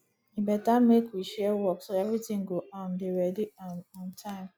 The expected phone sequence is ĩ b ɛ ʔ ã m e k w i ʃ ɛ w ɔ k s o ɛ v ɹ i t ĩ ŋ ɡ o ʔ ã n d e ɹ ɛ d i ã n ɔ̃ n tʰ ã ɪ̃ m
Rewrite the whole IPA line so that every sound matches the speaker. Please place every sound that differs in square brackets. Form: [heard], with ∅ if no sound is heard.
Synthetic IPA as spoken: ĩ b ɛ [t] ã m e k w i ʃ ɛ w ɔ k s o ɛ v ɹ i t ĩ ŋ ɡ o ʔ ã n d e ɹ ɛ d i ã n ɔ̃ n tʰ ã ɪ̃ m